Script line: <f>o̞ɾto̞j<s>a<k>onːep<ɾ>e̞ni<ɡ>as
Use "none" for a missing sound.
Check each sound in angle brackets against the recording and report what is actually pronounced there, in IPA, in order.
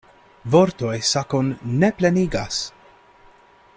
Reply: v, s, k, l, ɡ

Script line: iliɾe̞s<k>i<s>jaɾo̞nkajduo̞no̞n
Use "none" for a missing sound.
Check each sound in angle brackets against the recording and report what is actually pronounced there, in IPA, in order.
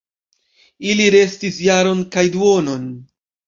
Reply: t, s

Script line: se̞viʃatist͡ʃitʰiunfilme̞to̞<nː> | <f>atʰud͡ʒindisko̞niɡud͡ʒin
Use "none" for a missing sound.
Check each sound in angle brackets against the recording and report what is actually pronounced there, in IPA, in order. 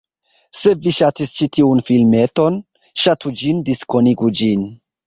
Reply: n, ʃ

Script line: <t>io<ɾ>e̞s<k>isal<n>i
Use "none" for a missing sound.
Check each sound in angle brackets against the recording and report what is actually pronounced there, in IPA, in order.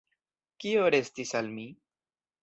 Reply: k, ɾ, t, m

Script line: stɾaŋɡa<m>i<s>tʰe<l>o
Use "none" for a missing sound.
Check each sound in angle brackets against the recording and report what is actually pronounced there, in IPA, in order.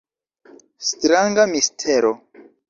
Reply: m, s, ɾ

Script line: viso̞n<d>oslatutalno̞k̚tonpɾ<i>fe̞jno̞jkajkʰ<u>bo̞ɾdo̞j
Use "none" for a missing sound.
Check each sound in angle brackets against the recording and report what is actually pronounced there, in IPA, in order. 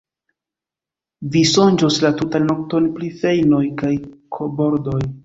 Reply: d͡ʒ, i, o

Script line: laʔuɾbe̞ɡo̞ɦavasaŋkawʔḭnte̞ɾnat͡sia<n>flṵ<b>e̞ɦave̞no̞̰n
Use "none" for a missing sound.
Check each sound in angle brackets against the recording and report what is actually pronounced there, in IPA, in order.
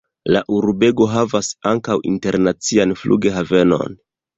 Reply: n, ɡ

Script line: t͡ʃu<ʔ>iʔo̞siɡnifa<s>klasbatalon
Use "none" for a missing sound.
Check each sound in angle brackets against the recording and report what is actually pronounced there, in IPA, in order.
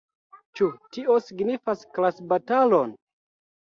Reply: t, s

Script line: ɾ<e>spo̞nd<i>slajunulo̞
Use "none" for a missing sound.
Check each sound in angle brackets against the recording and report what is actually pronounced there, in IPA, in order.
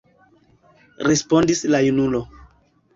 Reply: e, i

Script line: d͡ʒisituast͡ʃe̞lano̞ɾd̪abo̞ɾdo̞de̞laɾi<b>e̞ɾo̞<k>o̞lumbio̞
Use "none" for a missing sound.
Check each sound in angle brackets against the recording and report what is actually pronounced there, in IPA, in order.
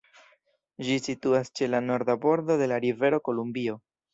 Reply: v, k

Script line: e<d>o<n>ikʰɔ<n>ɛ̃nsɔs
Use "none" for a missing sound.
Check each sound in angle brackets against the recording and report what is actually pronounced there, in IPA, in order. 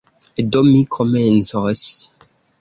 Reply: d, m, m

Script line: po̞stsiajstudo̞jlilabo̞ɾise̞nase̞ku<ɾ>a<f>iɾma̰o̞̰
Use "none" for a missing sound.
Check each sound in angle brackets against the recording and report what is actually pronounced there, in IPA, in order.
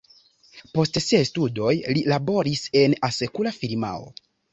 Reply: l, f

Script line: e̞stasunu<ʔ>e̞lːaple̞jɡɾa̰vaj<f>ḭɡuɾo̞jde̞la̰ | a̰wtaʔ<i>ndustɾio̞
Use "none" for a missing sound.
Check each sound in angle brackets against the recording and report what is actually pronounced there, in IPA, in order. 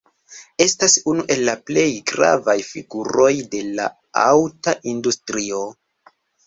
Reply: ʔ, f, i

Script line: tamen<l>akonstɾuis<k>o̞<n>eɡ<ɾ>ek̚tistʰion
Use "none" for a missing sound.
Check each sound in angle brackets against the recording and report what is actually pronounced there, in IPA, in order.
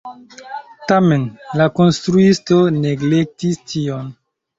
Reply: l, t, n, l

